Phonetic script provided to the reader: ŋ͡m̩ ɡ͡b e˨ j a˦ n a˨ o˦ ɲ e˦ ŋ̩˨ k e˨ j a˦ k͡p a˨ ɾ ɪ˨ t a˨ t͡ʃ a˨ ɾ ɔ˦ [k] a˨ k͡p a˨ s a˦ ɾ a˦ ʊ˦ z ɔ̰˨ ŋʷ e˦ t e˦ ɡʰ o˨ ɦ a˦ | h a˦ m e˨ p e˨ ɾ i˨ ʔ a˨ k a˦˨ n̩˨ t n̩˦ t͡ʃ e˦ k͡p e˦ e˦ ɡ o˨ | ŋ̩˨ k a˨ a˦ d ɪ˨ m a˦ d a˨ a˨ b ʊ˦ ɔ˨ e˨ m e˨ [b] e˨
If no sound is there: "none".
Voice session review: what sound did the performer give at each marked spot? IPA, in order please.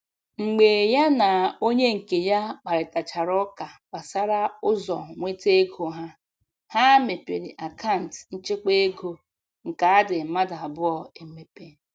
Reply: k, p

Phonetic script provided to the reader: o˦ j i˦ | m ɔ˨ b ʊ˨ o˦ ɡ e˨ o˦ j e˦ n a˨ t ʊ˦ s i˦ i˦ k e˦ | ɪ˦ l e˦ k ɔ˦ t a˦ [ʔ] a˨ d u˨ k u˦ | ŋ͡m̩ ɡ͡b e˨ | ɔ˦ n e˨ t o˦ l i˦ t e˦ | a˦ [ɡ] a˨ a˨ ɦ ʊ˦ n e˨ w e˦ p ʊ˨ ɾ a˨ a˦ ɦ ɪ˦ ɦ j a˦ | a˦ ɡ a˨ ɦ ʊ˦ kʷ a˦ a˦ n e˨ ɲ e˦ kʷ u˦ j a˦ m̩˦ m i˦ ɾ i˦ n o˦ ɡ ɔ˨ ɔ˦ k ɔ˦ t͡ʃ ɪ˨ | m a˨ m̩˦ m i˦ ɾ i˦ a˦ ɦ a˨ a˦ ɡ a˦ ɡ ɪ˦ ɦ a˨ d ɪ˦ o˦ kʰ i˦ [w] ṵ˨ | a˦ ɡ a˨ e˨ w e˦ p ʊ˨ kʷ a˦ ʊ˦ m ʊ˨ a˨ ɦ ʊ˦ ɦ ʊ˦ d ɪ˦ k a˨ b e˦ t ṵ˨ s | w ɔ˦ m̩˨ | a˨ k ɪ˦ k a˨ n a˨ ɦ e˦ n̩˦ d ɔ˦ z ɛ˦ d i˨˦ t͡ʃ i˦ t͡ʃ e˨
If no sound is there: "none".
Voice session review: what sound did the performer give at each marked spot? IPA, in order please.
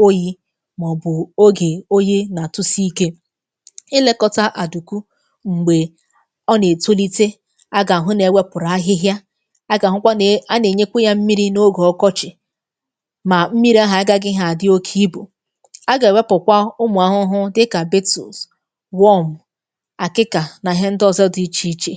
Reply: ʔ, ɡ, b

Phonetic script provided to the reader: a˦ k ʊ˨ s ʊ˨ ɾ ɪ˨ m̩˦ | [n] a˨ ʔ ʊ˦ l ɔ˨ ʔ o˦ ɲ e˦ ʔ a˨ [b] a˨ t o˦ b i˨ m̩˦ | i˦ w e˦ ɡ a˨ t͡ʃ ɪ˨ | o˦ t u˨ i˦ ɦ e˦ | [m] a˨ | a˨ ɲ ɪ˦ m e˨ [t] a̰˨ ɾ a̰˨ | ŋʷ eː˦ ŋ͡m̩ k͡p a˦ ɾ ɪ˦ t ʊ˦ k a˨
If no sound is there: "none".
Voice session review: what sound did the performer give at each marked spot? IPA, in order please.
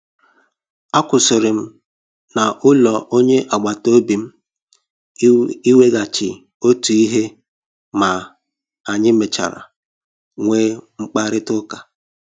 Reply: n, ɡ͡b, m, t͡ʃ

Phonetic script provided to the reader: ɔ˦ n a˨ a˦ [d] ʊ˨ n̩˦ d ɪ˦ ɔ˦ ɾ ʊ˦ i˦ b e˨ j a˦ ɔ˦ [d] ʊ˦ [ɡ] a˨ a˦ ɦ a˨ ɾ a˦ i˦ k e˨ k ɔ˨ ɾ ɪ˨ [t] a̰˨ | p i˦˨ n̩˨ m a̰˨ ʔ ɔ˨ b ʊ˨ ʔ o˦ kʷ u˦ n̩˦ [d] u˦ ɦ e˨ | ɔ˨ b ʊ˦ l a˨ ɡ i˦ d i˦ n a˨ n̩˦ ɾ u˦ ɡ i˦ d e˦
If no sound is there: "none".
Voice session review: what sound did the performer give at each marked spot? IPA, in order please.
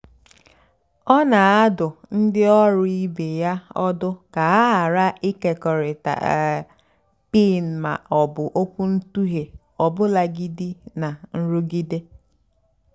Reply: d, d, k, t, t

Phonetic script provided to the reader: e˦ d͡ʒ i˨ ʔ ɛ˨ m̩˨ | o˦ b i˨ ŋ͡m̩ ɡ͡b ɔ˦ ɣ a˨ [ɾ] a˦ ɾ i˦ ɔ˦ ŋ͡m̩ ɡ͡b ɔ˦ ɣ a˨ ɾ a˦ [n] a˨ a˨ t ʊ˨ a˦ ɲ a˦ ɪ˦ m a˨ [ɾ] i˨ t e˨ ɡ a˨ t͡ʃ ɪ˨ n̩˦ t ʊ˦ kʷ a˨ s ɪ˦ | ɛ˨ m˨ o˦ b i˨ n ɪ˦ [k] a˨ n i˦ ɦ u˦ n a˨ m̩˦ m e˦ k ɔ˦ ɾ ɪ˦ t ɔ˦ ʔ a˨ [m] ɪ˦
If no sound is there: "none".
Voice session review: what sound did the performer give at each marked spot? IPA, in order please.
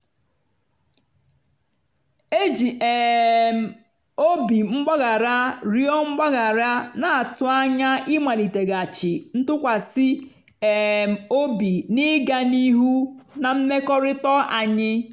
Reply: ɾ, n, l, ɡ, ɲ

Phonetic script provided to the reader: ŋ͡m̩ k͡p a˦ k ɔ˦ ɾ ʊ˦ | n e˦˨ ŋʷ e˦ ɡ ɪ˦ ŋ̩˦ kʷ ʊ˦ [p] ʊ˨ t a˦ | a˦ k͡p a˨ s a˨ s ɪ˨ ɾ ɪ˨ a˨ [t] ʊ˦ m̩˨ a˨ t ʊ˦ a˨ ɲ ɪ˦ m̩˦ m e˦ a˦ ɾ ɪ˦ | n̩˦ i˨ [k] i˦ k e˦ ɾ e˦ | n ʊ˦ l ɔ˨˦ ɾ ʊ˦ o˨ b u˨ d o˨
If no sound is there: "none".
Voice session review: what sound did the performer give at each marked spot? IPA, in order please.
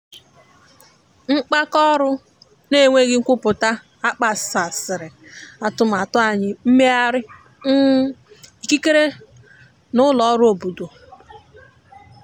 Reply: p, t, k

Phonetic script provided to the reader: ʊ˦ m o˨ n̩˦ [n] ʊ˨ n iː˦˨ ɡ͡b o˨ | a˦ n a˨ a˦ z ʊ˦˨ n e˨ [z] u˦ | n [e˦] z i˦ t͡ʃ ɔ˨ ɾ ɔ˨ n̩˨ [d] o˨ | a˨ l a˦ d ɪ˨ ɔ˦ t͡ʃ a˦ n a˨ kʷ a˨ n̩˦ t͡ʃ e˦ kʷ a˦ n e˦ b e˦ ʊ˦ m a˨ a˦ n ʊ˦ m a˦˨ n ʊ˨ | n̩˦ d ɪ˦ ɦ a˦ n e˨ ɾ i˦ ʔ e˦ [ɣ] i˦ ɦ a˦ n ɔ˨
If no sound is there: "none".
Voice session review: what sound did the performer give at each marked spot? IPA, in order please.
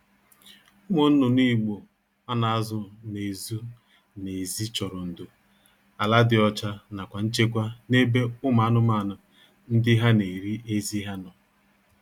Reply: n, z, e˨, d, z

